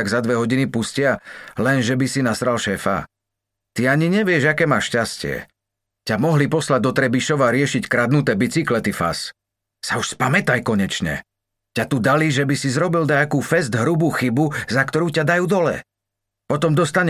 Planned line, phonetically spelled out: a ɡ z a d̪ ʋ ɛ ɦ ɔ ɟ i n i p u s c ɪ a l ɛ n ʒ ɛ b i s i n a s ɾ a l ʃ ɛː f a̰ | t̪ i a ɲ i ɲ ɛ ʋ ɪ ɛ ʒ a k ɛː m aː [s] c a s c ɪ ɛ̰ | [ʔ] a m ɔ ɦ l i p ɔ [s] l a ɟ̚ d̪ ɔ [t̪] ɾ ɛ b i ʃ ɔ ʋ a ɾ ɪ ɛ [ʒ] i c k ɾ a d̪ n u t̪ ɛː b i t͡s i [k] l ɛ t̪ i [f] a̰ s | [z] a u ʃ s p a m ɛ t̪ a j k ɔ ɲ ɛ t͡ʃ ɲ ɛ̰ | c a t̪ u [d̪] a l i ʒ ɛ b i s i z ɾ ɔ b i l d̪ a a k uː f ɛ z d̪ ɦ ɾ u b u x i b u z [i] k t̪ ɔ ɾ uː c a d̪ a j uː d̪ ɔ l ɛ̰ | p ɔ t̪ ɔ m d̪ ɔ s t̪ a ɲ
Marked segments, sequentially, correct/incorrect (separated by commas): incorrect, incorrect, correct, correct, incorrect, correct, correct, incorrect, correct, incorrect